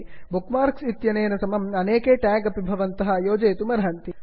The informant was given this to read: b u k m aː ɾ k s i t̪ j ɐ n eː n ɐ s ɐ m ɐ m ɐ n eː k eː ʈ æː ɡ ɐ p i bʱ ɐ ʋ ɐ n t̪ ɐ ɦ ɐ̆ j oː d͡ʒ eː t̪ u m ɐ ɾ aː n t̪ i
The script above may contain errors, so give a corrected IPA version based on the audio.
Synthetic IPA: b u k m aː ɾ k s i t̪ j ɐ n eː n ɐ s ɐ m ɐ m ɐ n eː k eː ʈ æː ɡ ɐ p i bʱ ɐ ʋ ɐ n t̪ ɐ ɦ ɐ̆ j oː d͡ʒ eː t̪ u m ɐ ɾ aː n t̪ i